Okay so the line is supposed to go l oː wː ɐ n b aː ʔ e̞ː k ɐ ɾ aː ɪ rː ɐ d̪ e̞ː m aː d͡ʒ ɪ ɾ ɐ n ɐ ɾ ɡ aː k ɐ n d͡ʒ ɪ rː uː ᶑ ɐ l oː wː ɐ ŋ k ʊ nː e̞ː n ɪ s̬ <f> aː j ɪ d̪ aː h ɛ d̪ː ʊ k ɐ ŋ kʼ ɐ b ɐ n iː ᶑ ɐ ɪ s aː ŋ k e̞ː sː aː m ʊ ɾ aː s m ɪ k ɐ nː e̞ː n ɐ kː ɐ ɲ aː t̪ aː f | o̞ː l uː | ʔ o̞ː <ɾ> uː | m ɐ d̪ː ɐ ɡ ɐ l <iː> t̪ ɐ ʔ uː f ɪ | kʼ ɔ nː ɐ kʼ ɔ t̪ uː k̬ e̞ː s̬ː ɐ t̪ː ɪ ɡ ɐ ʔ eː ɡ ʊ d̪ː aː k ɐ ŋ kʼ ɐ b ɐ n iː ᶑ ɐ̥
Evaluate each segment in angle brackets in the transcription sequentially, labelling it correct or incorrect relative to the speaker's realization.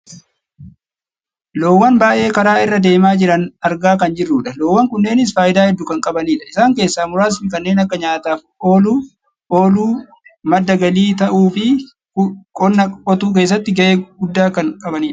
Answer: correct, incorrect: l, correct

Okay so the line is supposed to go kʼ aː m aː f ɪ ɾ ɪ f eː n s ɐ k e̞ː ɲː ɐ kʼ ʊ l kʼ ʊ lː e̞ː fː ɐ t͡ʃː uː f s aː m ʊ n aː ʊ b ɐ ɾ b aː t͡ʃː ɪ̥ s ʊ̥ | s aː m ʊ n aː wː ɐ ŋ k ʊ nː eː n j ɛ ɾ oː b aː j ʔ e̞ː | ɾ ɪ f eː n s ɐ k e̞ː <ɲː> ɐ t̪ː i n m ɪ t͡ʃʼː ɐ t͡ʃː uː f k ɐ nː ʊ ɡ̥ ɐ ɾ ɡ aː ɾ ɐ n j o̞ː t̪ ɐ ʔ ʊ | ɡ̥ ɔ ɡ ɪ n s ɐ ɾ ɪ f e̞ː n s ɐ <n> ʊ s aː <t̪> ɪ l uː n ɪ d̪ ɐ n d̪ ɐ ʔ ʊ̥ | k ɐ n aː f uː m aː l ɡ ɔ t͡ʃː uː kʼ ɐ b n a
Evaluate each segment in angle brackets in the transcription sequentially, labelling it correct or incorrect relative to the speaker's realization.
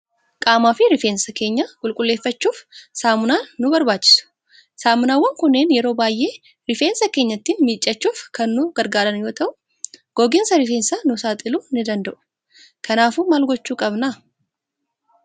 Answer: correct, correct, incorrect: t̪ʼ

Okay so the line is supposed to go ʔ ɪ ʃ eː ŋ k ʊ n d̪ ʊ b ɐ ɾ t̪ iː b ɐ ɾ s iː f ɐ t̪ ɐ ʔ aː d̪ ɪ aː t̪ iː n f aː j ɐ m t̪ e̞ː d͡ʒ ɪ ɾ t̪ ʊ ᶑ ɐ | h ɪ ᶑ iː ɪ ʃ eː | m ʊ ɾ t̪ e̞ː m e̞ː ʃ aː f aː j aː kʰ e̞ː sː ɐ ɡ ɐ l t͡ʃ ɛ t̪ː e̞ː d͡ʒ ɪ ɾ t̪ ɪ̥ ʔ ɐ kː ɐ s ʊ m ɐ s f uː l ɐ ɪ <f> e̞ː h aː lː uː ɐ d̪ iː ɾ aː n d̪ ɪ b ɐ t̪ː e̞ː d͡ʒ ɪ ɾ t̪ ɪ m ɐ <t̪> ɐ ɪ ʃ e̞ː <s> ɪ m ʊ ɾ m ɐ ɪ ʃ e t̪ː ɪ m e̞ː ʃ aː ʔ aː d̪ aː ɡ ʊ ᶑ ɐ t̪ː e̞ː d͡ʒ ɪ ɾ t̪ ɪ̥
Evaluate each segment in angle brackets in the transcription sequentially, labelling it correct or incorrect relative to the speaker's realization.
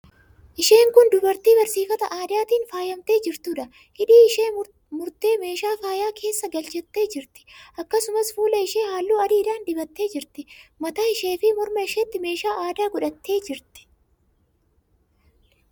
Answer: incorrect: ʃ, correct, incorrect: f

